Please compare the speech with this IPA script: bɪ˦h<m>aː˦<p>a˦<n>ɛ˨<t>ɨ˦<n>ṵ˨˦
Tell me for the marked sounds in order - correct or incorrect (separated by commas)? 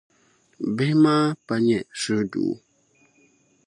correct, correct, incorrect, incorrect, incorrect